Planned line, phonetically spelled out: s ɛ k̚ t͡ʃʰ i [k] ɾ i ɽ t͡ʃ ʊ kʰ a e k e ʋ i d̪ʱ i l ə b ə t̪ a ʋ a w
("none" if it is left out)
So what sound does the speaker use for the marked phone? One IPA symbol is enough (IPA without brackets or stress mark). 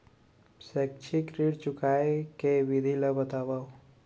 k